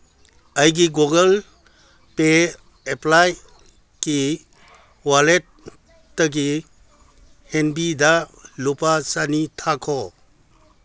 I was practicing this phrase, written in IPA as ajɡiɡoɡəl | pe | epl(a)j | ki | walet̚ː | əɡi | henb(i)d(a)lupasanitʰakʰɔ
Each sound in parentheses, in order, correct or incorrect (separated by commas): correct, correct, correct